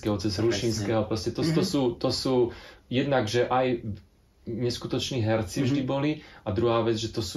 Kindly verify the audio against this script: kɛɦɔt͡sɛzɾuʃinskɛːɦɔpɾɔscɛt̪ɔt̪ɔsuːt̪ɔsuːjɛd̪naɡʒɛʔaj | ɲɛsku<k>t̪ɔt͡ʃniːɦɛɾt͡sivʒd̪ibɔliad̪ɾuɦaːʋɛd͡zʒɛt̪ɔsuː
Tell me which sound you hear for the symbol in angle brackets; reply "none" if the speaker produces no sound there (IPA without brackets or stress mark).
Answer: none